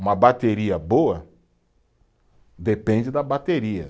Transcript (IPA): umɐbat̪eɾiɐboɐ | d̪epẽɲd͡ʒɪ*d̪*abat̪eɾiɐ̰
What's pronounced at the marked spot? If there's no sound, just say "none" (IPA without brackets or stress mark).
d̪